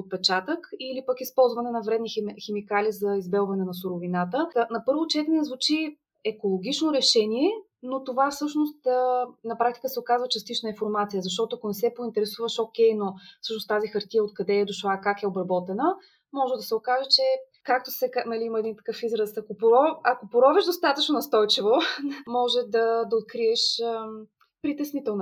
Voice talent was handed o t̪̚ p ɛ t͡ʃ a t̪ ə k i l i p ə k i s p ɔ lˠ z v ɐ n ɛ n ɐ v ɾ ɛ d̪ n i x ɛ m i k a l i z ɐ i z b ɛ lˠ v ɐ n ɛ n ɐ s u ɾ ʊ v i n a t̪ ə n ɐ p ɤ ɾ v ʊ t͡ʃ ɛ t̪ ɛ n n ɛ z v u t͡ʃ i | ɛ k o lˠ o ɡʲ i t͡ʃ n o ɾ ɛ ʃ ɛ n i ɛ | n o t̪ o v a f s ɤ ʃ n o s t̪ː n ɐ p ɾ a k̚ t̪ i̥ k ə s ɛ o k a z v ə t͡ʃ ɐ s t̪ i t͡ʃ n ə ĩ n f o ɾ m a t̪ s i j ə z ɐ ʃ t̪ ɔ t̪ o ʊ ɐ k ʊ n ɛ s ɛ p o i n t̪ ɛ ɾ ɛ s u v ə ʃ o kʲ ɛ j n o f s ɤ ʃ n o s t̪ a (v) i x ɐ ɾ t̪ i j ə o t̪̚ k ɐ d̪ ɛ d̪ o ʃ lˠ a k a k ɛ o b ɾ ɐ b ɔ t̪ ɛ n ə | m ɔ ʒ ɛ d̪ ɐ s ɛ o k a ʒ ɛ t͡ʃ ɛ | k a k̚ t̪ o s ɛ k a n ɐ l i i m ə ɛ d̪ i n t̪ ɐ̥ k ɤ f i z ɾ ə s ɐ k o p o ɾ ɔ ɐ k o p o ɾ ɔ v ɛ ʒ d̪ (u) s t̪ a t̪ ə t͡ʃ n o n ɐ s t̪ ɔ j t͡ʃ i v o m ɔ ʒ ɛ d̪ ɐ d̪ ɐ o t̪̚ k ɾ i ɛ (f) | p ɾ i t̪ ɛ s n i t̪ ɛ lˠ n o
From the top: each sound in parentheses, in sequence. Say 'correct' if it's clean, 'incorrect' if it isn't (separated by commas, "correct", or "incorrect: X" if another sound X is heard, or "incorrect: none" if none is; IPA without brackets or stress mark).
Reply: incorrect: z, incorrect: o, incorrect: ʃ